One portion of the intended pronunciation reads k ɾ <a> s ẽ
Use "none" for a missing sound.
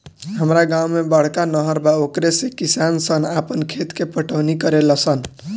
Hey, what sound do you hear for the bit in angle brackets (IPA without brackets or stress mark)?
e